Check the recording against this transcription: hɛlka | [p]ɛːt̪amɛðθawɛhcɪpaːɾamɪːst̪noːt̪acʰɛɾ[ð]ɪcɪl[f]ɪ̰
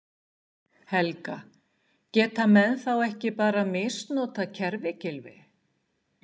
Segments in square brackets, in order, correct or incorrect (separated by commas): incorrect, incorrect, incorrect